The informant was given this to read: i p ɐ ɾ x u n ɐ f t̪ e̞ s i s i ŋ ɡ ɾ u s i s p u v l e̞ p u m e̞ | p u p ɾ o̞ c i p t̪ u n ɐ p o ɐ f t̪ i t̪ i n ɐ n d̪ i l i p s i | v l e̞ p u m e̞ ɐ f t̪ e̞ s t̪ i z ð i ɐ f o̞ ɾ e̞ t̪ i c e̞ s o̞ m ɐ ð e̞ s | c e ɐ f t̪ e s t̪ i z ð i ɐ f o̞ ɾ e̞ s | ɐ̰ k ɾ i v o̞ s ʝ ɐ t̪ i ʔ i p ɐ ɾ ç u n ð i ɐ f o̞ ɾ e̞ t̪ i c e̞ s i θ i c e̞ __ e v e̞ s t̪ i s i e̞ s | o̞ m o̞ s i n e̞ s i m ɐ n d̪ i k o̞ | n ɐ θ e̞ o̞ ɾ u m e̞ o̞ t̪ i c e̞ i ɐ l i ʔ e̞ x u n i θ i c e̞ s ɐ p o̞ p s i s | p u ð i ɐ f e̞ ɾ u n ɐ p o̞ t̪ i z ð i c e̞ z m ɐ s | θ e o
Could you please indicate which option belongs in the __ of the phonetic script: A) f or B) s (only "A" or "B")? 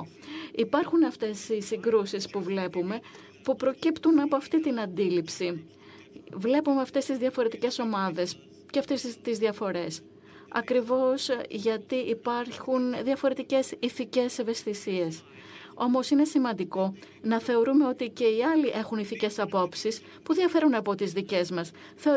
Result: B